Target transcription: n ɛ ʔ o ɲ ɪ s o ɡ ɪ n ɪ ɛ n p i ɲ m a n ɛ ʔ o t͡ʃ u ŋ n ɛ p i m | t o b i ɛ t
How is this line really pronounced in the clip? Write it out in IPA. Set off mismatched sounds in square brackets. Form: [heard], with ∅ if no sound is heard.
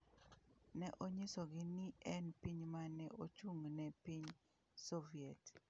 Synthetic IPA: n ɛ ʔ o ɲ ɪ s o ɡ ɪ n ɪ ɛ n p i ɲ m a n ɛ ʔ o t͡ʃ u ŋ n ɛ p i [ɲ] | [s] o [v] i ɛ t

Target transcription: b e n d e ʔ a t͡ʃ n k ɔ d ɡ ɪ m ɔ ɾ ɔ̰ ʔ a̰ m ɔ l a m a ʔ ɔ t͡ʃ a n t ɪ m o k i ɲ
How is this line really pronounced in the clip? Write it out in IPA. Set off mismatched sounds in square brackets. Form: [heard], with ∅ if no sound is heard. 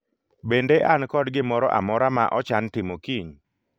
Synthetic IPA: b e n d e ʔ a [∅] n k ɔ d ɡ ɪ m ɔ ɾ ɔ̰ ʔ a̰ m ɔ [ɾ] a m a ʔ ɔ t͡ʃ a n t ɪ m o k i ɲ

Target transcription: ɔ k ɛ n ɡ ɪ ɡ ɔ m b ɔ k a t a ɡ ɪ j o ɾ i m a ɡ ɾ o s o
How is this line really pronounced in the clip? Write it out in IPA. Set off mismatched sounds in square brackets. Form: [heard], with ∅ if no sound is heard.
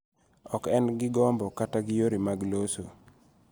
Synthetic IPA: ɔ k ɛ n ɡ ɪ ɡ ɔ m b ɔ k a t a ɡ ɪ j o ɾ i m a ɡ [l] o s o

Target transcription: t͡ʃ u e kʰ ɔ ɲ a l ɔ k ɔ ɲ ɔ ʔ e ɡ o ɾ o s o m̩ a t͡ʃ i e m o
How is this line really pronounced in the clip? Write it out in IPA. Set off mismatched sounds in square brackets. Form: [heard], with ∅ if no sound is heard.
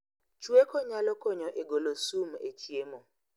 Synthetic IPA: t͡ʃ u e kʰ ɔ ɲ a l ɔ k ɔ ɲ ɔ ʔ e ɡ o [l] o s [u] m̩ [e] t͡ʃ i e m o

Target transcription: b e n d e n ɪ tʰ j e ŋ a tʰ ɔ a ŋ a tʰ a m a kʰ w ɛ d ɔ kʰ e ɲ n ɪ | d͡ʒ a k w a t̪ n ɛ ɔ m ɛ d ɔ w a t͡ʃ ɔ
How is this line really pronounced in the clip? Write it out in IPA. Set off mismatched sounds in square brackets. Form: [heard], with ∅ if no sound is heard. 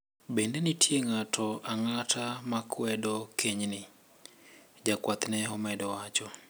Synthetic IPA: b e n d e n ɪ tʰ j e ŋ a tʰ ɔ a ŋ a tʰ a m a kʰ w ɛ d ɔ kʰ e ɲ n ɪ | d͡ʒ a k w a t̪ n ɛ ɔ m ɛ d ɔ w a t͡ʃ ɔ

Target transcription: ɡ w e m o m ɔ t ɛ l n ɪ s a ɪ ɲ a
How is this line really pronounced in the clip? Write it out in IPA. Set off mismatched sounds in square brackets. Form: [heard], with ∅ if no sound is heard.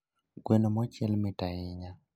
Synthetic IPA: ɡ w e [n] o m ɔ [t͡ʃ] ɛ l [m] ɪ [t] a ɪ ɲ a

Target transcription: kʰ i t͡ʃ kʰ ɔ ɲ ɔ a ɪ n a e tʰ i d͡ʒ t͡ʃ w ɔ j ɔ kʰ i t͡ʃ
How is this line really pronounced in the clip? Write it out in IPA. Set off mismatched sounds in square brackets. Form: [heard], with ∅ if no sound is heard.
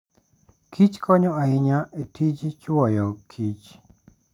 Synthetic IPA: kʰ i t͡ʃ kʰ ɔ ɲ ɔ a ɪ [ɲ] a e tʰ i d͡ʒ t͡ʃ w ɔ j ɔ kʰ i t͡ʃ

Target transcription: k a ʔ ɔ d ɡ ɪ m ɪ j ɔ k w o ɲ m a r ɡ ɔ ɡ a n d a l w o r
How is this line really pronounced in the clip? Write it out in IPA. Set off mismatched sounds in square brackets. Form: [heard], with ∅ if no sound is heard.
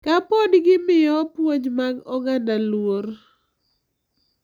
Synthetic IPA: k a [p] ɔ d ɡ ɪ m ɪ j ɔ [p] w o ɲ m a [∅] ɡ ɔ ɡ a n d a l w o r

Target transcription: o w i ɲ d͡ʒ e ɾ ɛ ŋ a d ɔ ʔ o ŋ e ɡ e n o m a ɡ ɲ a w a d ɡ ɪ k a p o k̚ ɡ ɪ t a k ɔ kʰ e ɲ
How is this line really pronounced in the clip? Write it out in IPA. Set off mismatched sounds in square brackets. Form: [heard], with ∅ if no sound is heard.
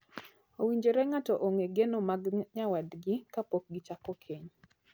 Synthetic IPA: o w i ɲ d͡ʒ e ɾ ɛ ŋ a [t] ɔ ʔ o ŋ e ɡ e n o m a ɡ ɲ a w a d ɡ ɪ k a p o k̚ ɡ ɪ [t͡ʃ] a k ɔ kʰ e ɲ

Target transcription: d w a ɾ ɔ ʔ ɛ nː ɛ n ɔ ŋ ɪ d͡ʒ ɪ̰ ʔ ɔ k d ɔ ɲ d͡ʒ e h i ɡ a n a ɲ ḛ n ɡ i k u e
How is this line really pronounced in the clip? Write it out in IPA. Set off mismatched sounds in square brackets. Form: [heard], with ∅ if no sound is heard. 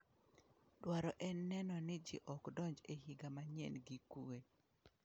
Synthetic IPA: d w a ɾ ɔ ʔ ɛ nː ɛ n ɔ [n] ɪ d͡ʒ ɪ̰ ʔ ɔ k d ɔ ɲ d͡ʒ e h i ɡ a [m] a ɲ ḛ n ɡ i k u e

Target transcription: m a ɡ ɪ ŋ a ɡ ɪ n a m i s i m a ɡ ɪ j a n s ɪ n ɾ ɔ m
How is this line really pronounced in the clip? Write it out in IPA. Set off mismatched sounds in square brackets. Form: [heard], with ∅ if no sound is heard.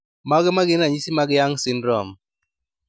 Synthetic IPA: m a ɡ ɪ [m] a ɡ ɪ n a [ɲ] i s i m a ɡ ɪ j a [ŋ] s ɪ n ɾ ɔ m

